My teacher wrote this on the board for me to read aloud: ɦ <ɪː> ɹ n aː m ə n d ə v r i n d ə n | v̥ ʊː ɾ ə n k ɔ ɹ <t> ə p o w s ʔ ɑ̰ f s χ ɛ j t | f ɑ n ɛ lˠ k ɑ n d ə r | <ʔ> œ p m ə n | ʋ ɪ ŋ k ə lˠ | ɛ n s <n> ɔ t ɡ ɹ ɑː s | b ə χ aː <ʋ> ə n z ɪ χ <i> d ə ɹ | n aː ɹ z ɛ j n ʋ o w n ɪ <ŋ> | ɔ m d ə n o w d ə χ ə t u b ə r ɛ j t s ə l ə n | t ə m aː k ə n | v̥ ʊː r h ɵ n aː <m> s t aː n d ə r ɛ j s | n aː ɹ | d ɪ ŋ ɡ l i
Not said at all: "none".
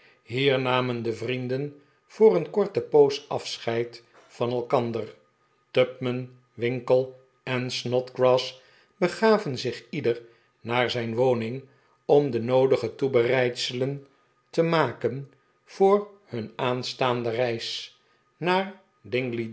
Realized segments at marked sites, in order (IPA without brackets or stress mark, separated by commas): iː, t, t, n, v, i, ŋ, n